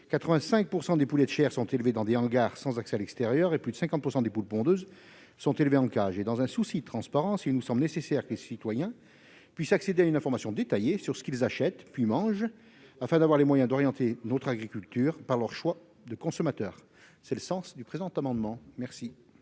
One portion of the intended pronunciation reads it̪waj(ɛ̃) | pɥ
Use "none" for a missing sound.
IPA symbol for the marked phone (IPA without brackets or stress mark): ɛ̃